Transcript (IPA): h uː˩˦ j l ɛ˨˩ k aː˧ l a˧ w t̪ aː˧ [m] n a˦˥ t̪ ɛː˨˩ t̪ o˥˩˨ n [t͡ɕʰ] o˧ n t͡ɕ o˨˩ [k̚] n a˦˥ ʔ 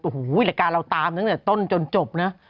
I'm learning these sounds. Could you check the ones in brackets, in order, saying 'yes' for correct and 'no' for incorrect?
yes, no, no

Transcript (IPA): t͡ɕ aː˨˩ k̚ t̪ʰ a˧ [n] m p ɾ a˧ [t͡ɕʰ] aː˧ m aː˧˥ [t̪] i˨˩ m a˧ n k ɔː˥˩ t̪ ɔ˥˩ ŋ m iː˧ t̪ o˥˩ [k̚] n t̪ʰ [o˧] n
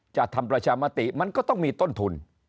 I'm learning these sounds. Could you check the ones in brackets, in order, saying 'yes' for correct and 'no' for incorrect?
no, yes, yes, no, no

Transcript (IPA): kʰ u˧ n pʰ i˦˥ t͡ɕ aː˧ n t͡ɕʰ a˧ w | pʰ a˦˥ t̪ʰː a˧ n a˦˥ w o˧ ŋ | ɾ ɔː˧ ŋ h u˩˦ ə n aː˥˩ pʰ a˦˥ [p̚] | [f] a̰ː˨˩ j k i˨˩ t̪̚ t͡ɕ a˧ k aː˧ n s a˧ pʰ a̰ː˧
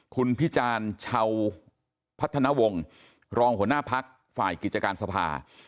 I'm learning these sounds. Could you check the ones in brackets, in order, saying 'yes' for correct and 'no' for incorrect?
no, yes

